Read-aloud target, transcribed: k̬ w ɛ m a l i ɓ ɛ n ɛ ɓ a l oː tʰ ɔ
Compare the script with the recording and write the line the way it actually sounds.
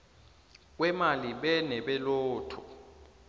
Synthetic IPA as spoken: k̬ w ɛ m a l i ɓ ɛ n ɛ ɓ ɛ l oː tʰ ɔ